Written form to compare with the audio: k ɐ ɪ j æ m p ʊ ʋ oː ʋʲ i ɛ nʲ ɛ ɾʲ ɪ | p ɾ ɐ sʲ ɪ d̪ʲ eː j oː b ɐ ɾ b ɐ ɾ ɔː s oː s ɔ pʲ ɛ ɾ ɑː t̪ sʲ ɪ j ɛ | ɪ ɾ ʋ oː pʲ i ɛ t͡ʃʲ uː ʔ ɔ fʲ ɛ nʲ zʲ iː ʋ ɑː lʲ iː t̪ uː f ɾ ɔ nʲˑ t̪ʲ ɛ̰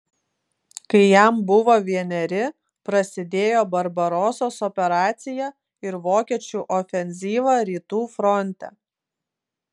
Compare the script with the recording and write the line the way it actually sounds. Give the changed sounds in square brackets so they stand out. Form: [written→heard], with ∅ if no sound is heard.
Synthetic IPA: k ɐ ɪ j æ m [p→b] ʊ ʋ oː ʋʲ i ɛ nʲ ɛ ɾʲ ɪ | p ɾ ɐ sʲ ɪ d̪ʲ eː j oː b ɐ ɾ b ɐ ɾ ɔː s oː s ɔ pʲ ɛ ɾ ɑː t̪ sʲ ɪ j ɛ | ɪ ɾ ʋ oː [pʲ→kʲ] i ɛ t͡ʃʲ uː ʔ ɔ fʲ ɛ nʲ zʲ iː ʋ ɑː [lʲ→ɾʲ] iː t̪ uː f ɾ ɔ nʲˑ t̪ʲ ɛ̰